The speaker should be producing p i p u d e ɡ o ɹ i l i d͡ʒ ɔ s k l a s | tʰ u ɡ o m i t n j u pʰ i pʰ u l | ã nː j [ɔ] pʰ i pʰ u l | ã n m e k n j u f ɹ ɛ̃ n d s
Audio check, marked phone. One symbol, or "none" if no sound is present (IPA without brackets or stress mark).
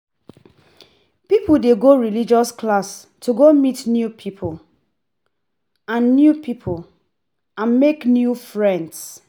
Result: u